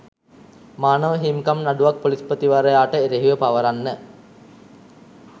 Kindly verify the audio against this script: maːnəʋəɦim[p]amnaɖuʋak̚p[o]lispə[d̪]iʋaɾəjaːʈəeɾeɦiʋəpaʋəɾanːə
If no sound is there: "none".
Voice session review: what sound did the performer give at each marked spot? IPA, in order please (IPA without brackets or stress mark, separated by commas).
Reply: k, o, t̪